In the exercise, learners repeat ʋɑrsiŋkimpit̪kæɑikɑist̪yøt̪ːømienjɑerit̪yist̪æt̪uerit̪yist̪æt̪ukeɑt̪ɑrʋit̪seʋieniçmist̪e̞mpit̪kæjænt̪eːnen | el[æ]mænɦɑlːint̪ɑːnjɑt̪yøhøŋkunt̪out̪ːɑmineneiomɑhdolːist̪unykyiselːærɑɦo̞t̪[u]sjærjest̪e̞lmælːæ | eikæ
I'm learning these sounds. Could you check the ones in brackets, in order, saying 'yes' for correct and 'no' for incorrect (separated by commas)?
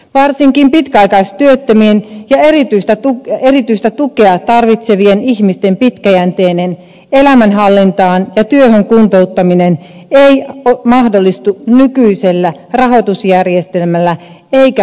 yes, yes